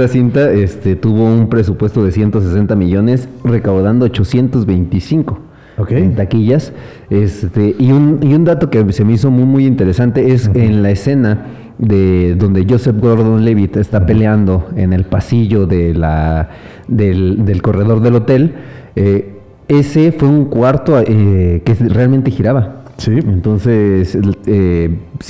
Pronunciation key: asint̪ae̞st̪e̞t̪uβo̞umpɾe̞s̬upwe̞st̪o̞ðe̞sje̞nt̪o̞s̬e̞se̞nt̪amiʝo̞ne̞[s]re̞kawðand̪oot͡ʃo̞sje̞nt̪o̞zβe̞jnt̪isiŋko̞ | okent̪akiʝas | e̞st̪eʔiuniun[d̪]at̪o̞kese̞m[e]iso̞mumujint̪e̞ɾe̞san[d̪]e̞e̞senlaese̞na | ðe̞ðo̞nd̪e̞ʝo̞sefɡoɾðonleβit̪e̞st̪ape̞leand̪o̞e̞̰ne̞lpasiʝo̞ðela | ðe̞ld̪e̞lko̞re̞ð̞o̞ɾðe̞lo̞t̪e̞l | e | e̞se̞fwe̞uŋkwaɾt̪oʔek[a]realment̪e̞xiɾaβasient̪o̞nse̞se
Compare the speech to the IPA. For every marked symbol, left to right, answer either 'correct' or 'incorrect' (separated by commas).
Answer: correct, correct, correct, incorrect, incorrect